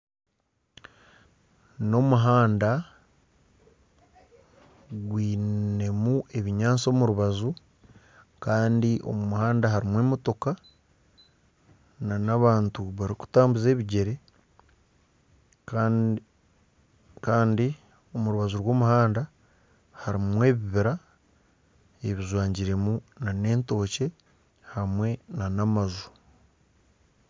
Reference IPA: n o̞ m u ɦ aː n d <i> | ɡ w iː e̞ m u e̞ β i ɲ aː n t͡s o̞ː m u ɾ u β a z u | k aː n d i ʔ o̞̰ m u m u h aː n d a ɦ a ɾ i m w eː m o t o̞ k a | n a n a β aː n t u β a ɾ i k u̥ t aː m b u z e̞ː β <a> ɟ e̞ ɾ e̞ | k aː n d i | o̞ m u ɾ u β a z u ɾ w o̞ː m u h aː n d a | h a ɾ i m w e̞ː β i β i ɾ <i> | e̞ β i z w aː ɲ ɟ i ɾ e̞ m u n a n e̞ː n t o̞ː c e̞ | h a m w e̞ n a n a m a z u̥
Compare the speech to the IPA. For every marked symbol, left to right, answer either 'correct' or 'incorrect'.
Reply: incorrect, incorrect, incorrect

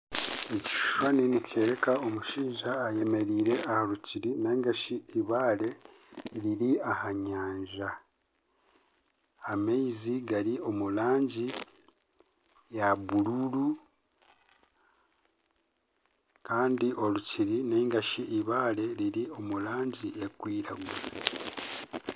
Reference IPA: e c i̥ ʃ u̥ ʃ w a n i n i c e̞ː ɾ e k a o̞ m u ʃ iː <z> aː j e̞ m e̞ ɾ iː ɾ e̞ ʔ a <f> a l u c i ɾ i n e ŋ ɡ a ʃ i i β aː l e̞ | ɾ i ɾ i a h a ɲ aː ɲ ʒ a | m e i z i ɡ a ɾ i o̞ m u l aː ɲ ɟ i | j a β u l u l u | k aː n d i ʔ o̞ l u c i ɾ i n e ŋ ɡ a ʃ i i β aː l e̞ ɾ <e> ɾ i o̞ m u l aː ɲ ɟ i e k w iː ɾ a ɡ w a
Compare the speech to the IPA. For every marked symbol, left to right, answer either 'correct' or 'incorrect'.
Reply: incorrect, incorrect, incorrect

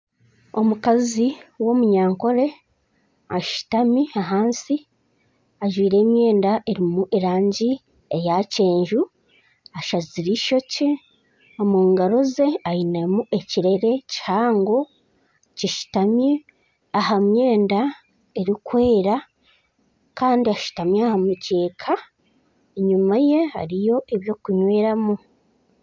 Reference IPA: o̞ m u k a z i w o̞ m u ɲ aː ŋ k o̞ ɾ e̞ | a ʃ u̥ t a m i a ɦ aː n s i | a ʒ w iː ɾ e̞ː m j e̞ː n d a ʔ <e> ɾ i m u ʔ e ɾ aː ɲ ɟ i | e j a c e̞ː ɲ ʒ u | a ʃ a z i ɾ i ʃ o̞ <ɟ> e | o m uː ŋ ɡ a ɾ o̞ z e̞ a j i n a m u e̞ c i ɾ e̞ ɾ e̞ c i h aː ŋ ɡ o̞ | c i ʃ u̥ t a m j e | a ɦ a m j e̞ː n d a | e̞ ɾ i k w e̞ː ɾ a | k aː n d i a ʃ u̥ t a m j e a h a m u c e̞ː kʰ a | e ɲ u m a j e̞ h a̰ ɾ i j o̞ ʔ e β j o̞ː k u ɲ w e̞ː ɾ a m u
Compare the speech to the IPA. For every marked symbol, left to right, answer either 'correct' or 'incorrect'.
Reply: correct, incorrect

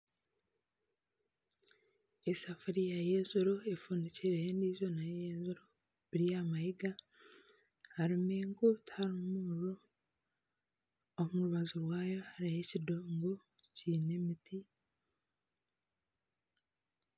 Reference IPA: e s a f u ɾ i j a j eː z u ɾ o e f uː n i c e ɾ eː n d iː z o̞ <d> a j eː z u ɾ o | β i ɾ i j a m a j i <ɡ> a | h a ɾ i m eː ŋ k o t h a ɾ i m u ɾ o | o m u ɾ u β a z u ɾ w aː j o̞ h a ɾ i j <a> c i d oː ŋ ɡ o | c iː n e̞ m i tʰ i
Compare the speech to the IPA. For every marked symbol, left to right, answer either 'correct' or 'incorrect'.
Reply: incorrect, correct, incorrect

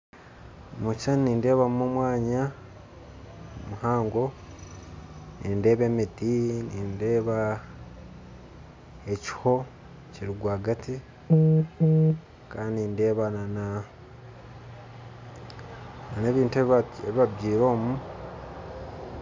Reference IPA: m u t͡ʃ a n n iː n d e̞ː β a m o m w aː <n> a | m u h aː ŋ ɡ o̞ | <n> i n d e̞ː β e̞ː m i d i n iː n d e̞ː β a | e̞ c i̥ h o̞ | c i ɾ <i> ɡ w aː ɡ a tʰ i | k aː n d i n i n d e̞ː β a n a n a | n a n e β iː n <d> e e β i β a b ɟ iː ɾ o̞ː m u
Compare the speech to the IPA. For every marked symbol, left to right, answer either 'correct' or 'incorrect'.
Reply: incorrect, correct, correct, incorrect

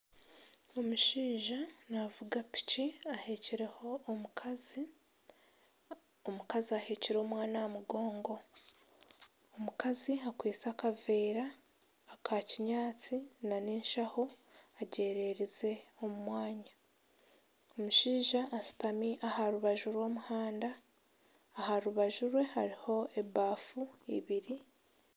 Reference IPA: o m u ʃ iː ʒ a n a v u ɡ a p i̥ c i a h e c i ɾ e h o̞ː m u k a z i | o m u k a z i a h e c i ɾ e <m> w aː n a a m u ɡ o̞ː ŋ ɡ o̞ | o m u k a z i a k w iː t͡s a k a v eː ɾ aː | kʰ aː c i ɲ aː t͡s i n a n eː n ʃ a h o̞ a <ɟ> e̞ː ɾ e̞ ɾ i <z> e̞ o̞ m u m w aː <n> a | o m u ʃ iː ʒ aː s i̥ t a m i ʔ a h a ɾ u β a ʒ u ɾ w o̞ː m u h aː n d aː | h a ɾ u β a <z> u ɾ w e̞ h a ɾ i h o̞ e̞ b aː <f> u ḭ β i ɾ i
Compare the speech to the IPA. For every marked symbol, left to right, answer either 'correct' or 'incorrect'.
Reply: correct, correct, correct, incorrect, incorrect, correct

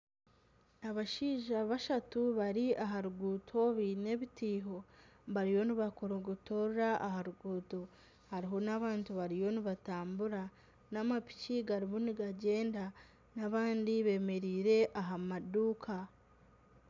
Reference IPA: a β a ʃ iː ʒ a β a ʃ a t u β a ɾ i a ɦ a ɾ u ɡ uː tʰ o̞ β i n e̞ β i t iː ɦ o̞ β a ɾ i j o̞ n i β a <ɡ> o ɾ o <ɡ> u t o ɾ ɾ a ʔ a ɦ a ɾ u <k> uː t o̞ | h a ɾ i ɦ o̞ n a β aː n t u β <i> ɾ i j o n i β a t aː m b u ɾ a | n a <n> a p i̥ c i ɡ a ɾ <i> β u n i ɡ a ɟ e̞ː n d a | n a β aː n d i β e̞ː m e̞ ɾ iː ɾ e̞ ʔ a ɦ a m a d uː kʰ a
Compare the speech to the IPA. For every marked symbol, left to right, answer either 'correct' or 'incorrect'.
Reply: incorrect, correct, incorrect, incorrect, incorrect, correct

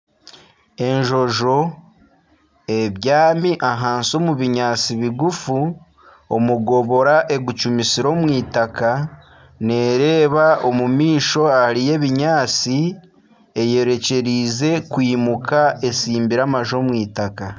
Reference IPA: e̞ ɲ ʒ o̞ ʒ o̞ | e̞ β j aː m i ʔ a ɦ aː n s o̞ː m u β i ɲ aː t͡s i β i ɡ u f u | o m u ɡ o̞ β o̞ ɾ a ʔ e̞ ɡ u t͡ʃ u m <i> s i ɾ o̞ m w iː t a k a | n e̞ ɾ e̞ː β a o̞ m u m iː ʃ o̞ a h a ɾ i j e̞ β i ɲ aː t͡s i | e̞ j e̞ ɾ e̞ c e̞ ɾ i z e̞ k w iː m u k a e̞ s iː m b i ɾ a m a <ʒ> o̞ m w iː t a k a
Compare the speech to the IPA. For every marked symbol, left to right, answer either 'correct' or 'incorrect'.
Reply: correct, correct

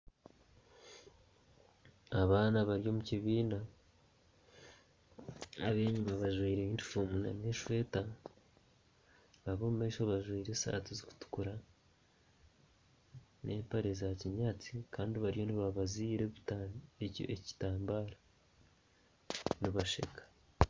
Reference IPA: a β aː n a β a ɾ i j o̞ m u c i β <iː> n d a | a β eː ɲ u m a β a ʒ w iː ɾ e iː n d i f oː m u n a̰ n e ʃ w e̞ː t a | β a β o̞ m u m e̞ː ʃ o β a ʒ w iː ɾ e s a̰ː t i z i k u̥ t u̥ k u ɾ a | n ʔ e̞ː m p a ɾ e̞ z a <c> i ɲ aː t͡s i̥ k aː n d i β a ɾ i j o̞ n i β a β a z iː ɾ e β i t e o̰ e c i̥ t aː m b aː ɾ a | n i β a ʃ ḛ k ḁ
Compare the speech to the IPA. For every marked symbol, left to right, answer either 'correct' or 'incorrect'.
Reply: correct, correct

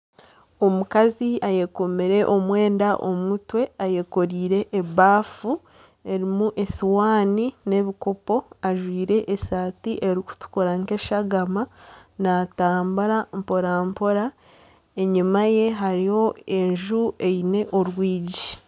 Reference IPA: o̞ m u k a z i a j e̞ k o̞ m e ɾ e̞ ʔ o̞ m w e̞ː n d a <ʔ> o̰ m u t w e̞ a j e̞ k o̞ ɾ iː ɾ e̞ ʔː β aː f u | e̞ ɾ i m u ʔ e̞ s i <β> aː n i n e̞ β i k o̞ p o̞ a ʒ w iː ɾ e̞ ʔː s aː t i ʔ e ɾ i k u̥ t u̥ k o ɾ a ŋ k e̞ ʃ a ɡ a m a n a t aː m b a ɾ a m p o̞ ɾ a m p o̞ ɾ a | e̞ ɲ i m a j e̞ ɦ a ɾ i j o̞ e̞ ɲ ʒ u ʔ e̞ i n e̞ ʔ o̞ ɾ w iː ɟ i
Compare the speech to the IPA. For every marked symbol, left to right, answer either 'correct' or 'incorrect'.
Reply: correct, incorrect

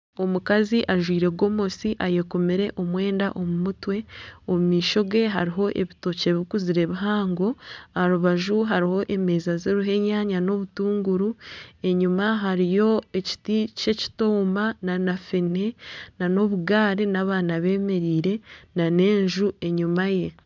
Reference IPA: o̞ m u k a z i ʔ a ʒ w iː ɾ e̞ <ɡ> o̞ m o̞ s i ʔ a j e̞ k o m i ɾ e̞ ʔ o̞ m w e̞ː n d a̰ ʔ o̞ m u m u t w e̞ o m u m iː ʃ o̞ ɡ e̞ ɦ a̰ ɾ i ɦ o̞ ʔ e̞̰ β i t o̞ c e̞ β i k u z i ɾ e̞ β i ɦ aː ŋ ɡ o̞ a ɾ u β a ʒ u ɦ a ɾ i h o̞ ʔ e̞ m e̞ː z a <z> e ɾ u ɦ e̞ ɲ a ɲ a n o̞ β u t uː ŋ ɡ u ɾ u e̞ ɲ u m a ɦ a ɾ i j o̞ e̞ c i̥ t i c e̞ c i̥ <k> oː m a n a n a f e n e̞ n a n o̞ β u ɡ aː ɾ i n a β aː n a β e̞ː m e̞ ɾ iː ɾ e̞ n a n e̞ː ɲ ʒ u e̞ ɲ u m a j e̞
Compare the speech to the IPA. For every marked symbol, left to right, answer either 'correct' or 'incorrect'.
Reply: correct, correct, incorrect

